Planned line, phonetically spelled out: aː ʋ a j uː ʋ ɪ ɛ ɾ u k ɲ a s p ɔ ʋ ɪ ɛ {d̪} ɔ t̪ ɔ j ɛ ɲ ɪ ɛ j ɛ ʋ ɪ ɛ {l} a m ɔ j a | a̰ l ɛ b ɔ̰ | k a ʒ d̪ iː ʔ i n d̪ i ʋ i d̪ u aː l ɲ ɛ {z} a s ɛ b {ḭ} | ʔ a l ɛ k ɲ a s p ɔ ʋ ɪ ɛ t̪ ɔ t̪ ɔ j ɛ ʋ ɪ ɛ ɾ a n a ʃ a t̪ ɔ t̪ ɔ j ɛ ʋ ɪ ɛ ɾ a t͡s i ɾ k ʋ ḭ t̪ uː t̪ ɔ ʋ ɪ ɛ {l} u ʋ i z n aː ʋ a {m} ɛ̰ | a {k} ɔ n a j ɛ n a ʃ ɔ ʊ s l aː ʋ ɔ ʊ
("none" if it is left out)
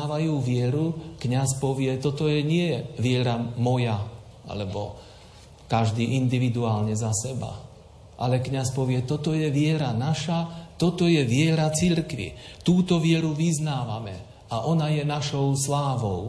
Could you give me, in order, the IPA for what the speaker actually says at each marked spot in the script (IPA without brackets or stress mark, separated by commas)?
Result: t̪, ɾ, z, a̰, ɾ, m, ʔ